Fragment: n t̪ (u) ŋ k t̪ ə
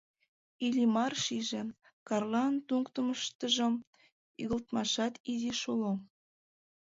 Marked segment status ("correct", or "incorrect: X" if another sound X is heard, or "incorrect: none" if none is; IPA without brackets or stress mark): correct